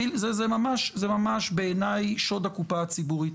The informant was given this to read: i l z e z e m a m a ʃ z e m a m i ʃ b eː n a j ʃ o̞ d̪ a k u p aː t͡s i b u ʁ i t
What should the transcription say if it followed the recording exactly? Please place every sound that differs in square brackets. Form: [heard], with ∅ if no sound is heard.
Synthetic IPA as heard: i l z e z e m a m a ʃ z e m a m [a] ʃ b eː n a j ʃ o̞ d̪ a k u p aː t͡s i b u ʁ i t